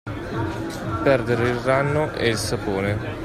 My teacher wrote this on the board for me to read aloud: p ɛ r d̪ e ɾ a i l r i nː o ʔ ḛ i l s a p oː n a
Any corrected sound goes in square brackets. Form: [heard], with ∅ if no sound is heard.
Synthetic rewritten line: p ɛ r d̪ e ɾ [e] i l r [a] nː o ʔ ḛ i l s a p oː n [e]